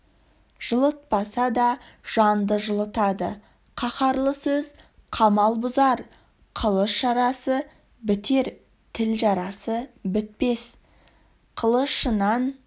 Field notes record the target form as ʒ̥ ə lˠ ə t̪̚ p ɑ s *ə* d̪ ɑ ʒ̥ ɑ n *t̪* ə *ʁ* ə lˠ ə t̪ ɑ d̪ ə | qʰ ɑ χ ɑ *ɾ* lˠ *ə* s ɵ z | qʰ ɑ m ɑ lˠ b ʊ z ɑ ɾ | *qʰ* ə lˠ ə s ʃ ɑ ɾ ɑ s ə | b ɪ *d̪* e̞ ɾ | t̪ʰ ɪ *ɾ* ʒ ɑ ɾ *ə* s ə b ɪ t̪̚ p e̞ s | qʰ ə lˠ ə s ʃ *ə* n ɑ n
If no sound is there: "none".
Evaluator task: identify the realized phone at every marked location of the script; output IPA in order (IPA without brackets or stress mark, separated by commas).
ɑ, d̪, ʒ, ɾ, ə, qʰ, t̪, l, ɑ, ə